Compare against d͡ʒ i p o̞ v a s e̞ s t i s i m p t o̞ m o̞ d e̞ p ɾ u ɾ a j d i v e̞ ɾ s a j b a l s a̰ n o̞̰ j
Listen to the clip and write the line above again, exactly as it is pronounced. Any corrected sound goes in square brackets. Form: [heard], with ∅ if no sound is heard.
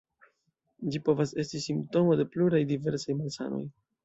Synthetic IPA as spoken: d͡ʒ i p o̞ v a s e̞ s t i s i m p t o̞ m o̞ d e̞ p [l] u ɾ a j d i v e̞ ɾ s a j [m] a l s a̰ n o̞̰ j